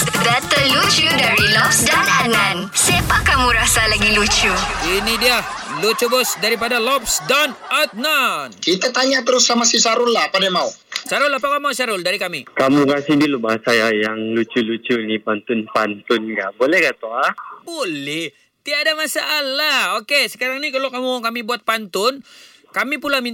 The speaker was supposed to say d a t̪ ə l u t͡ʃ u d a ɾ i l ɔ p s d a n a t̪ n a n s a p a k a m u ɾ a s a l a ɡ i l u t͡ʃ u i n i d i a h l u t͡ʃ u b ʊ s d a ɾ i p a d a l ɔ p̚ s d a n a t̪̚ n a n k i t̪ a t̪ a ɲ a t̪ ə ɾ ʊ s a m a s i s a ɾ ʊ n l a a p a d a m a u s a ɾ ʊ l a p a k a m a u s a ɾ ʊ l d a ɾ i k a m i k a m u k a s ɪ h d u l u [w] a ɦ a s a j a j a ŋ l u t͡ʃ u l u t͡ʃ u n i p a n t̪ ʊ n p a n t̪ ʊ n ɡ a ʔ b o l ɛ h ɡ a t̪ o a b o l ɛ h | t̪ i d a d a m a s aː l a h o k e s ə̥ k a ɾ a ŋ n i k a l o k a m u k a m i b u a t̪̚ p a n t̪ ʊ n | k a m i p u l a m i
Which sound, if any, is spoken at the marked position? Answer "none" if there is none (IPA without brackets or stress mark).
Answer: b